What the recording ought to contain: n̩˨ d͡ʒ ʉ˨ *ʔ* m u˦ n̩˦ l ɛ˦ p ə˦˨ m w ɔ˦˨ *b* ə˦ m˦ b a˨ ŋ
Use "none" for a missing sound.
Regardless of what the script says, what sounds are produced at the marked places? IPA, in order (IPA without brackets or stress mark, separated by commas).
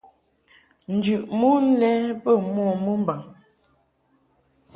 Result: ʔ, m